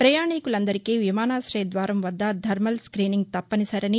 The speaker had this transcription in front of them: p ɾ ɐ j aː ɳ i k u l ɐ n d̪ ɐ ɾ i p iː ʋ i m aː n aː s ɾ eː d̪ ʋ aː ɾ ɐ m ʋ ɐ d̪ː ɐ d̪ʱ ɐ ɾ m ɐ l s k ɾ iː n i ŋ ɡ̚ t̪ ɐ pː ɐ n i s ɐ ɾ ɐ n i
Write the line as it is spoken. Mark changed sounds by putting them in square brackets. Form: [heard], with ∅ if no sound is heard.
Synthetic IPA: p ɾ ɐ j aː ɳ i k u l ɐ n d̪ ɐ ɾ i [k] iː ʋ i m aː n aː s ɾ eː d̪ ʋ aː ɾ ɐ m ʋ ɐ d̪ː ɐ d̪ʱ ɐ ɾ m ɐ l s k ɾ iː n i ŋ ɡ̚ t̪ ɐ pː ɐ n i s ɐ ɾ ɐ n i

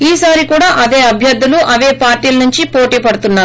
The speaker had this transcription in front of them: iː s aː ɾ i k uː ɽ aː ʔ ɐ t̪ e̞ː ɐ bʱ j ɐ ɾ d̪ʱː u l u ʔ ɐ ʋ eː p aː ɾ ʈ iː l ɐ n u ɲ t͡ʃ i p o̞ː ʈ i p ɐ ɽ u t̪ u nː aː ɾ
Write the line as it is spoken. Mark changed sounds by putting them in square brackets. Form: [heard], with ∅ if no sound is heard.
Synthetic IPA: iː s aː ɾ i k uː ɽ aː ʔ ɐ [d̪] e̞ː ɐ bʱ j ɐ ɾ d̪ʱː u l u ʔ ɐ ʋ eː p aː ɾ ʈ iː l ɐ n u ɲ t͡ʃ i p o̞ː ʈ [iː] p ɐ ɽ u t̪ u nː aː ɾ

